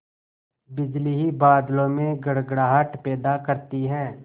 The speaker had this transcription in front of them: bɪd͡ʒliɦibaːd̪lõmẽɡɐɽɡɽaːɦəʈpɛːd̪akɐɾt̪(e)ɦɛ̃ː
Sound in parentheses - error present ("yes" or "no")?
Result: yes